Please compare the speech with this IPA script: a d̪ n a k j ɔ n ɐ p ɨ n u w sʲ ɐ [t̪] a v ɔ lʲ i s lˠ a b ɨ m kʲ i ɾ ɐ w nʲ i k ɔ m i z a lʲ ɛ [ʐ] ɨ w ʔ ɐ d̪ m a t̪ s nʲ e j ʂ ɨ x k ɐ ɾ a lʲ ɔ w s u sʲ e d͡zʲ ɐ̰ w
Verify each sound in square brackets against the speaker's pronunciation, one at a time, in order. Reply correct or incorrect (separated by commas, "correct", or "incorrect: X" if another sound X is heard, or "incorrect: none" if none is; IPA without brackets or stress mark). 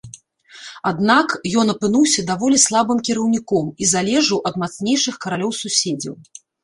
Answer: incorrect: d̪, correct